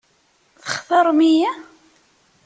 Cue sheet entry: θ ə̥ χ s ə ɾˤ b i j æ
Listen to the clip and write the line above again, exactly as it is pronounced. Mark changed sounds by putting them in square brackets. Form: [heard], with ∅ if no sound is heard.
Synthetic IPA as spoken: θ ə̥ χ [θ] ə ɾˤ [m] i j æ